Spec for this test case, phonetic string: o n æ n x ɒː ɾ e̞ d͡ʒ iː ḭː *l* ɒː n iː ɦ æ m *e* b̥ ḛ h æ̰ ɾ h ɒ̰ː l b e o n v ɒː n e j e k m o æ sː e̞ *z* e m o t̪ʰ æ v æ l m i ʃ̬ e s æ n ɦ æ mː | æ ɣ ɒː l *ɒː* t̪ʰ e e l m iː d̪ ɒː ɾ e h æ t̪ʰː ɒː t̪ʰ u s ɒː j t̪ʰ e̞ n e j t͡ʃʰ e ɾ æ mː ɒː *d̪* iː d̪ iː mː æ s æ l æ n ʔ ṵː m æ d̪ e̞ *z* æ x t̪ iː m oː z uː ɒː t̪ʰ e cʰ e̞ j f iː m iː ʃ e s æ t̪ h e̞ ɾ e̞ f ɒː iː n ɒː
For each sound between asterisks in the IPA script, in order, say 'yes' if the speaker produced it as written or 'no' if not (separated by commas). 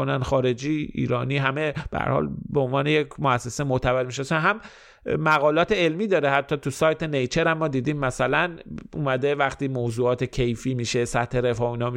no, yes, no, yes, yes, no